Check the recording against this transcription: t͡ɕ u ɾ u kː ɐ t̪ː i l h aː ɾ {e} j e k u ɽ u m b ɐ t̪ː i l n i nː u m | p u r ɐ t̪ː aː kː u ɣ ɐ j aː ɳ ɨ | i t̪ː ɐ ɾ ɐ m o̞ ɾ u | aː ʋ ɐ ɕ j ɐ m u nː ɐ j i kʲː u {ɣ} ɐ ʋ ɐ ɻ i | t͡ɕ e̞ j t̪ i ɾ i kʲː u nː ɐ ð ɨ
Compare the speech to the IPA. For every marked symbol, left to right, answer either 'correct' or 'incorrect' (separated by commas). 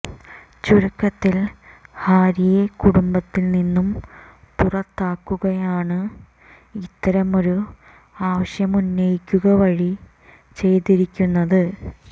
incorrect, correct